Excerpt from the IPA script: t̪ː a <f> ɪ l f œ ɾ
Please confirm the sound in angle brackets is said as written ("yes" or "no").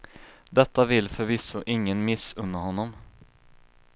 no